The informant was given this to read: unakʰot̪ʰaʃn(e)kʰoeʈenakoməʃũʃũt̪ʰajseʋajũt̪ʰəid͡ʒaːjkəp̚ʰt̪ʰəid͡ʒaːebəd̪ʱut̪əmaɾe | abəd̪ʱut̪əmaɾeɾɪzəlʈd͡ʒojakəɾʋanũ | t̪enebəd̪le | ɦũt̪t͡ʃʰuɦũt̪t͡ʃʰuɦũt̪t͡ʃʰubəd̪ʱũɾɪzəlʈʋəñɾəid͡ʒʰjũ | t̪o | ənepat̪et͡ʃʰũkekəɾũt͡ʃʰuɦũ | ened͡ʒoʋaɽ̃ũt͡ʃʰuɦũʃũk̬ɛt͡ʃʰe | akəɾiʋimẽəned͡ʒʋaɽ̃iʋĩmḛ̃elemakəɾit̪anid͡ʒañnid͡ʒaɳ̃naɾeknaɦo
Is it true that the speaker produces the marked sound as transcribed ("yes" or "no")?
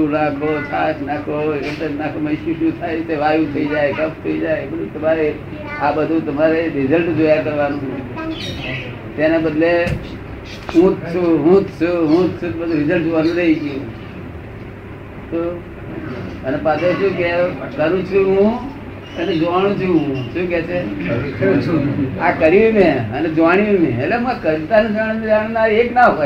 no